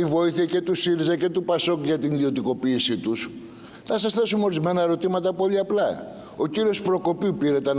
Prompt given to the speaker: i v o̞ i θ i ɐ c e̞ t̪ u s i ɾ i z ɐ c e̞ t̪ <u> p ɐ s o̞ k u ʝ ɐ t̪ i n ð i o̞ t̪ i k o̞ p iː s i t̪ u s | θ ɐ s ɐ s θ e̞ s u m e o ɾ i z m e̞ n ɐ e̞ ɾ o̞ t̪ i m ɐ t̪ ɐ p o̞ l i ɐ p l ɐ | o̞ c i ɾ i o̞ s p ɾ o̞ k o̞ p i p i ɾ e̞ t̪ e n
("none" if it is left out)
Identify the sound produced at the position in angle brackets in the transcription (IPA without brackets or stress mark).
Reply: u